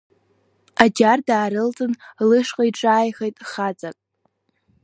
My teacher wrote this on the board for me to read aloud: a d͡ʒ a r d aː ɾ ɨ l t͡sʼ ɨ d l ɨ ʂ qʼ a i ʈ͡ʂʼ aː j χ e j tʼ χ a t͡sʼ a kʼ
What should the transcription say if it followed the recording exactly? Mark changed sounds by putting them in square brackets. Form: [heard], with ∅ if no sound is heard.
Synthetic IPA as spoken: a d͡ʒ a r d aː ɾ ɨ l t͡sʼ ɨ [n] l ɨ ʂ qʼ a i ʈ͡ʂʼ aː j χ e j tʼ χ a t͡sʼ a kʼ